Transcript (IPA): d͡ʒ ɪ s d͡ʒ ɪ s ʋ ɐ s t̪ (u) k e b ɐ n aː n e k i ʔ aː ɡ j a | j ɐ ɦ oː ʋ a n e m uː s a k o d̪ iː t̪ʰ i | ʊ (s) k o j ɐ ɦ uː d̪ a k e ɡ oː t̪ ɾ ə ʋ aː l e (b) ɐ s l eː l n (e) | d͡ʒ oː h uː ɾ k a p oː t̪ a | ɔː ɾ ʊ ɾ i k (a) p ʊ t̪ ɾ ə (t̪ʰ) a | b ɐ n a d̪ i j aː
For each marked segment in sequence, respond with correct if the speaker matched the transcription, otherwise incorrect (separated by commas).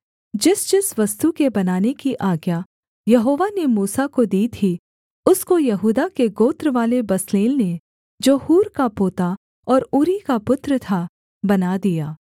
correct, correct, correct, correct, correct, correct